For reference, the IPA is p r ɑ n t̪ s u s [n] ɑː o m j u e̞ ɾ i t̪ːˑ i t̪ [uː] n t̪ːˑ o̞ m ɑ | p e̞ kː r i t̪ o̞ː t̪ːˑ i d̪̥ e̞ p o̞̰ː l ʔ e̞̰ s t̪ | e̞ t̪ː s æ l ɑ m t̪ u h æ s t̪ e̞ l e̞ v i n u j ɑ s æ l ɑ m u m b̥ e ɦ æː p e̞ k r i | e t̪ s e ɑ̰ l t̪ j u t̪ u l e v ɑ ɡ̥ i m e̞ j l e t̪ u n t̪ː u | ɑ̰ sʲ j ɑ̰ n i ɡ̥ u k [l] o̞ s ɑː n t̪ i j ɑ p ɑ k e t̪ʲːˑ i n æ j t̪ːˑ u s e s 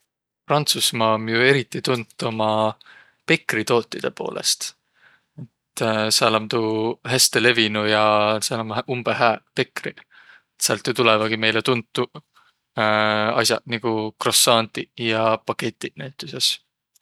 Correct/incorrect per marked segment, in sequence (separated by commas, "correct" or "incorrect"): incorrect, incorrect, incorrect